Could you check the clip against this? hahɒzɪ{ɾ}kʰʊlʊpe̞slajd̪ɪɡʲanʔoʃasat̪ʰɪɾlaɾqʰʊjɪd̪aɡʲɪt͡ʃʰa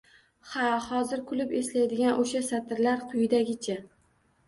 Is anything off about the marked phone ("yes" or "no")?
no